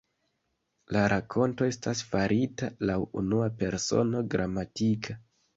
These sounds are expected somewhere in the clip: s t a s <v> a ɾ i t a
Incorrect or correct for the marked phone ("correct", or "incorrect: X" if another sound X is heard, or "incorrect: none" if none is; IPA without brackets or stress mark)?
incorrect: f